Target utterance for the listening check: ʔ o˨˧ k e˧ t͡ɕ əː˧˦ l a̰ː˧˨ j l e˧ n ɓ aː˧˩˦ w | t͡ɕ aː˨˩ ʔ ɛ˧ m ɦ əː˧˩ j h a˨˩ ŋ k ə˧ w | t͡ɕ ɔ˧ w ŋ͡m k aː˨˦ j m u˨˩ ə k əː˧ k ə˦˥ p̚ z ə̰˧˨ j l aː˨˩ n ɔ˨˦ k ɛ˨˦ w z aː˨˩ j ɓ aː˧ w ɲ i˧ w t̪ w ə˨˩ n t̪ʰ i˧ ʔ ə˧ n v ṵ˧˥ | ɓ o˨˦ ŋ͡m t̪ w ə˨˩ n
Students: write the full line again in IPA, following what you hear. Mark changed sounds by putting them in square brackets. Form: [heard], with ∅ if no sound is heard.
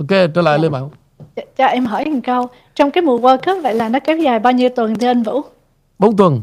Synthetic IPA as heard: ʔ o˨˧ k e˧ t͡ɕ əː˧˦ l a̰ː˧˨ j l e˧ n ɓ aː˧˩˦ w | t͡ɕ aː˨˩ ʔ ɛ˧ m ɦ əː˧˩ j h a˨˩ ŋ k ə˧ w | t͡ɕ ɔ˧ w ŋ͡m k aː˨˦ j m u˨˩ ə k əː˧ k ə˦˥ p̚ [v] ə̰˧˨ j l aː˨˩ n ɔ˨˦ k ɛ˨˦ w z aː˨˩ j ɓ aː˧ w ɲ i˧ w t̪ w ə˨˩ n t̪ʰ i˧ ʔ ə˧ n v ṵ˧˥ | ɓ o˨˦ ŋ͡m t̪ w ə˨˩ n